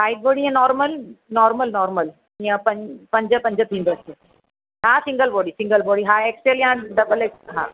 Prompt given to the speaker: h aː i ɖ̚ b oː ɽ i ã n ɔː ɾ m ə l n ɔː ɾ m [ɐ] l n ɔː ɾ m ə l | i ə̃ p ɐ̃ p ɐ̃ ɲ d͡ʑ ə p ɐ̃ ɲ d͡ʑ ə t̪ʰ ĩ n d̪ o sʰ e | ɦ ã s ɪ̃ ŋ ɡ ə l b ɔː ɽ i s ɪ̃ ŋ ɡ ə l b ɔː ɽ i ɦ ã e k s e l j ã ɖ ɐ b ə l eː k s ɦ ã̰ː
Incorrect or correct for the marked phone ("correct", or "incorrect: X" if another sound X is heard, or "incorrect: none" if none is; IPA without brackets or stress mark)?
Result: incorrect: ə